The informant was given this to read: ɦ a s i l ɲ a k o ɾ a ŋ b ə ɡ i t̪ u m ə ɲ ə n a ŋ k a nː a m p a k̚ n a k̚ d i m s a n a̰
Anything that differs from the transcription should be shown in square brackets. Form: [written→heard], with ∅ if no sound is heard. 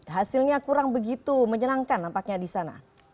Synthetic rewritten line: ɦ a s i l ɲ a k [o→u] ɾ a ŋ b ə ɡ i t̪ u m ə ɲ ə n a ŋ k a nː a m p a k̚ [n→ɲ] a [k̚→∅] d i [m→∅] s a n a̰